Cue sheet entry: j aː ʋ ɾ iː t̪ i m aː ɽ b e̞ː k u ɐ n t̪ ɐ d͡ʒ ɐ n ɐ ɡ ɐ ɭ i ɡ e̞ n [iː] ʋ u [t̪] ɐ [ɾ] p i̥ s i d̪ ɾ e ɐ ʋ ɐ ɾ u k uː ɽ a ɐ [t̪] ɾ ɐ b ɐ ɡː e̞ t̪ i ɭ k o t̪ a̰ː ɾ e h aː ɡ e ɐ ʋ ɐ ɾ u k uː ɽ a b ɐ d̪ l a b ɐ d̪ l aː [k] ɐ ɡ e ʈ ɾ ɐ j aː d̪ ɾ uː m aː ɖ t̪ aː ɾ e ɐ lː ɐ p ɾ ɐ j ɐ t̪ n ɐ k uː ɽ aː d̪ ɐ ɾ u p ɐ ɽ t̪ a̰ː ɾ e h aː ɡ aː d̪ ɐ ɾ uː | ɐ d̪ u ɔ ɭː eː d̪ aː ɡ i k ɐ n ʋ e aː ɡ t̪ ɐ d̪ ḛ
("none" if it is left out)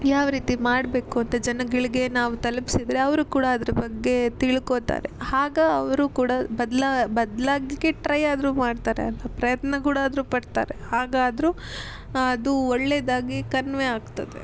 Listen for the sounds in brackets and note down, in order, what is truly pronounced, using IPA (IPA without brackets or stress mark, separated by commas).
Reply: aː, t̪, l, d̪, ɡ